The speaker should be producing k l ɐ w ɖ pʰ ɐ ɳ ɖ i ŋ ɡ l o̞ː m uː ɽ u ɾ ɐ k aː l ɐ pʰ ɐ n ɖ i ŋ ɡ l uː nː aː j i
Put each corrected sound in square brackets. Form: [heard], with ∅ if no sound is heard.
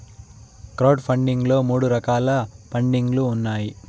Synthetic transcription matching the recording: k [ɾ] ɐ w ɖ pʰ ɐ ɳ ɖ i ŋ ɡ l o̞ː m uː ɽ u ɾ ɐ k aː l ɐ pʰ ɐ [ɳ] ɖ i ŋ ɡ l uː nː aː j i